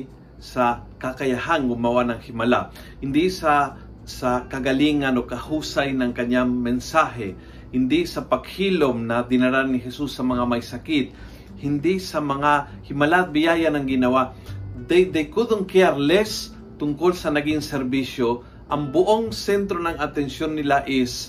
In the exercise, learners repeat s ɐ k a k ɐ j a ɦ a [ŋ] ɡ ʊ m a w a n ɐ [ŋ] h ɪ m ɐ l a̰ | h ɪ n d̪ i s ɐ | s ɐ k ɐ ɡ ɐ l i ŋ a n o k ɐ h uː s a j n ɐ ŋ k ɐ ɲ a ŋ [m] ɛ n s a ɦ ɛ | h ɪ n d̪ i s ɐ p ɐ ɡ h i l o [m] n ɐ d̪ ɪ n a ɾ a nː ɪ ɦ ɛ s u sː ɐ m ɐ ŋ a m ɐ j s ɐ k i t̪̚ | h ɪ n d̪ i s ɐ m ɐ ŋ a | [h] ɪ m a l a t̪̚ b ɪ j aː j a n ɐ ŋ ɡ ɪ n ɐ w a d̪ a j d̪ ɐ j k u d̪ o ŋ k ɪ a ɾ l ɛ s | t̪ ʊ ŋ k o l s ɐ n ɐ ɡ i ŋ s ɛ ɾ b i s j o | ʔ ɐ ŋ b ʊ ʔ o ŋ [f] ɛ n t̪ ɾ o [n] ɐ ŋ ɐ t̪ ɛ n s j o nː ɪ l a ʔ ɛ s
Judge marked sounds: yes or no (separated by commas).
yes, yes, yes, yes, yes, no, yes